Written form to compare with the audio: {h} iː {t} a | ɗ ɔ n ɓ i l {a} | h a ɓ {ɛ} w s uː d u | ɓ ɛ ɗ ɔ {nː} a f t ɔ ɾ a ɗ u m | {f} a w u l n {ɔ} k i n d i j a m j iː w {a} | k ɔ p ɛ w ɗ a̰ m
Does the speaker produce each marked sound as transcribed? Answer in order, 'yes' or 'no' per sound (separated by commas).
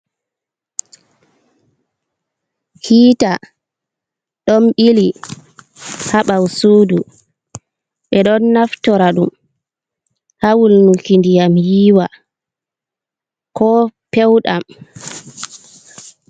yes, yes, no, no, yes, no, no, yes